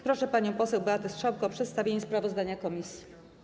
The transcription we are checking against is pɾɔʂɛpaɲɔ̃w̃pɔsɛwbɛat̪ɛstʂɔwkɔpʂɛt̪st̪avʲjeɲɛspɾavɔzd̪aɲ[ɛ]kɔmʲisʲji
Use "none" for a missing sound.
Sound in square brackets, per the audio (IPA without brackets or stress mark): a